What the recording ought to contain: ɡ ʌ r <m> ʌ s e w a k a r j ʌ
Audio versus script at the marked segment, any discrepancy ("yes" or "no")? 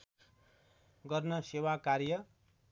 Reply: yes